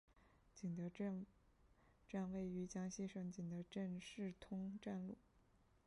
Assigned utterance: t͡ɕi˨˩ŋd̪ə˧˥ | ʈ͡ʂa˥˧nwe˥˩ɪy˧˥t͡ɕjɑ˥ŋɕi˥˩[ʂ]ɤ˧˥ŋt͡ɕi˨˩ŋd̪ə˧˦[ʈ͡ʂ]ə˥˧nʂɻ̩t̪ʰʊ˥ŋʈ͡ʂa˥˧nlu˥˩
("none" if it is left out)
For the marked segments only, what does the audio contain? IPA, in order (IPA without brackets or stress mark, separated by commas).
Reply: ʂ, ʈ͡ʂ